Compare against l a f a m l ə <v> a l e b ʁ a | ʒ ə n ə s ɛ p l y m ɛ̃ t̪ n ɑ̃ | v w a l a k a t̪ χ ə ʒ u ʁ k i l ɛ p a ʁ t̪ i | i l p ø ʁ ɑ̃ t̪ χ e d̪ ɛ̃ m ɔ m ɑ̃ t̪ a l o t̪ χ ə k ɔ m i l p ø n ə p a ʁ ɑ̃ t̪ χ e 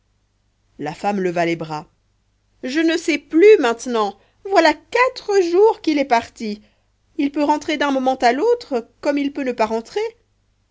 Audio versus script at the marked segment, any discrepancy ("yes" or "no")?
no